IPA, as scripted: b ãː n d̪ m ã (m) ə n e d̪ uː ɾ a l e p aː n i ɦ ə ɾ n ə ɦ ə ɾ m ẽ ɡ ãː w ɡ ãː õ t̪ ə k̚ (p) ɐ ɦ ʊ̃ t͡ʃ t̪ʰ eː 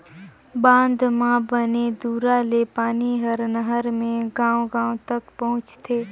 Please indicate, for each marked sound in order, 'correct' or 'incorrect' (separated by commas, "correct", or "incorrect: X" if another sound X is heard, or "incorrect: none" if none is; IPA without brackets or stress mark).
incorrect: b, correct